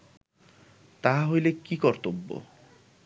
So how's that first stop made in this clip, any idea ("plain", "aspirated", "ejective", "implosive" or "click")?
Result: plain